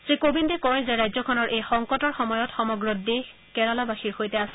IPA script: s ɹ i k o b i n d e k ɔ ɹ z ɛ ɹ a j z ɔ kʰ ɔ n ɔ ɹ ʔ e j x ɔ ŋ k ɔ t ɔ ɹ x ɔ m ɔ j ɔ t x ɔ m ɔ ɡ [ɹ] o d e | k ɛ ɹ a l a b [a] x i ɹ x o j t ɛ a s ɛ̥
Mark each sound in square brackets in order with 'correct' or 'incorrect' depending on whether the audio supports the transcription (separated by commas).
correct, correct